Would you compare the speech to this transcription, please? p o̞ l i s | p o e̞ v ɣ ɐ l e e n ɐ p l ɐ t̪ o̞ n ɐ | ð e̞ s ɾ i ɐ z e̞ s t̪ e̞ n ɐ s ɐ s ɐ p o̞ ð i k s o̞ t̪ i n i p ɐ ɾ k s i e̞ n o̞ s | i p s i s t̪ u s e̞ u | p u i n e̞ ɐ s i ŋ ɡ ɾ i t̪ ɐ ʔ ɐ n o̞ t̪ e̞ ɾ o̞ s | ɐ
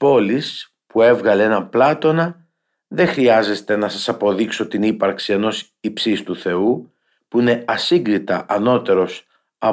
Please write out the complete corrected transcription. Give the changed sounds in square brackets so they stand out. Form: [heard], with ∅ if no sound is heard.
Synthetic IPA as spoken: p o̞ l i s | p [u] e̞ v ɣ ɐ l e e n ɐ p l ɐ t̪ o̞ n ɐ | ð e̞ [x] ɾ i ɐ z e̞ s t̪ e̞ n ɐ s ɐ s ɐ p o̞ ð i k s o̞ t̪ i n i p ɐ ɾ k s i e̞ n o̞ s | i p s i s t̪ u [θ] e̞ u | p u i n e̞ ɐ s i ŋ ɡ ɾ i t̪ ɐ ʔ ɐ n o̞ t̪ e̞ ɾ o̞ s | ɐ